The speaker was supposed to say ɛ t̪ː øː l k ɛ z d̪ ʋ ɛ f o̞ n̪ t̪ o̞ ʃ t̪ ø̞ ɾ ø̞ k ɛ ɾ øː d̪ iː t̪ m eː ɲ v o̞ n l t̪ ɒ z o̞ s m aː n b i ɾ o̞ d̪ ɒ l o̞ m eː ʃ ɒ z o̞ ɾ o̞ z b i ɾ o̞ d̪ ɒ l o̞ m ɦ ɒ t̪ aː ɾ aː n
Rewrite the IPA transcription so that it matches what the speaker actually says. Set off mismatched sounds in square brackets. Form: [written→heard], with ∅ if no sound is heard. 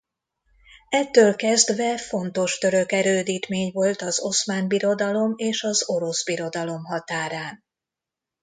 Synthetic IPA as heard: ɛ t̪ː øː l k ɛ z d̪ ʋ ɛ f o̞ n̪ t̪ o̞ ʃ t̪ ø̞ ɾ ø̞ k ɛ ɾ øː d̪ iː t̪ m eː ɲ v o̞ [n→∅] l t̪ ɒ z o̞ s m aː n b i ɾ o̞ d̪ ɒ l o̞ m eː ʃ ɒ z o̞ ɾ o̞ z b i ɾ o̞ d̪ ɒ l o̞ m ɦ ɒ t̪ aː ɾ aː n